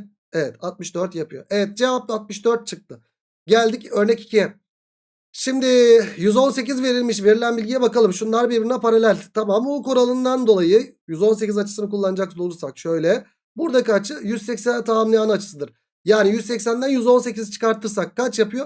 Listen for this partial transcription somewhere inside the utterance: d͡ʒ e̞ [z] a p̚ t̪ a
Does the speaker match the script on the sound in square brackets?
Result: no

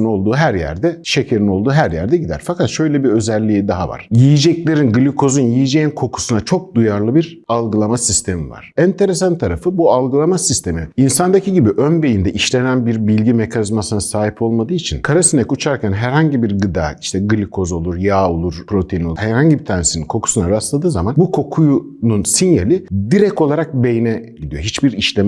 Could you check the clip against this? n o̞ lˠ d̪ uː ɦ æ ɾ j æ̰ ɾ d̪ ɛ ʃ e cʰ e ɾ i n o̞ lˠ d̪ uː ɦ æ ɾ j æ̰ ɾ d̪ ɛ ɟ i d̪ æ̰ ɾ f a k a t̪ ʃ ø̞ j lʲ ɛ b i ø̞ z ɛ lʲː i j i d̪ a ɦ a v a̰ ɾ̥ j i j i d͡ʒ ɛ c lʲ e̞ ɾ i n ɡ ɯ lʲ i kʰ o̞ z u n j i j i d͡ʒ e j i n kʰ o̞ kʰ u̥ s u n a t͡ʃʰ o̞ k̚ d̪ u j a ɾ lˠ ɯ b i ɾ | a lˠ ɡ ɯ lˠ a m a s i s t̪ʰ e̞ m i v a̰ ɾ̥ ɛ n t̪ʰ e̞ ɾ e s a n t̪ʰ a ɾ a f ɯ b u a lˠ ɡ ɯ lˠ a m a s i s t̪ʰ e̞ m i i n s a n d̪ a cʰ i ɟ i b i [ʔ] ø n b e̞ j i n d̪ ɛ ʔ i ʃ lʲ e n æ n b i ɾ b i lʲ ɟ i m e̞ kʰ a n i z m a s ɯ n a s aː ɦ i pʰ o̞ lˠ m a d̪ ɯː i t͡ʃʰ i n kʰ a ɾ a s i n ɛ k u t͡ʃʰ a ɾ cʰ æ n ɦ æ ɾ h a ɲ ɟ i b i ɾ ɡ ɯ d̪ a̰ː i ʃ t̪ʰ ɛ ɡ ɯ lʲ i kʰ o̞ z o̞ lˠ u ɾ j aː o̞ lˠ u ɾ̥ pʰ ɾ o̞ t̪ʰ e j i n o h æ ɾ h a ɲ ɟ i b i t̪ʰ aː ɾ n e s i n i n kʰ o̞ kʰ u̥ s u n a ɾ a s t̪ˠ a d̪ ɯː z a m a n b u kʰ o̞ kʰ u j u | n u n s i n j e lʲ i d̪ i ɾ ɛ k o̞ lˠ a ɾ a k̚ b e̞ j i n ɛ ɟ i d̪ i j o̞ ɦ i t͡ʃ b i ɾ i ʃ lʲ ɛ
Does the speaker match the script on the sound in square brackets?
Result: yes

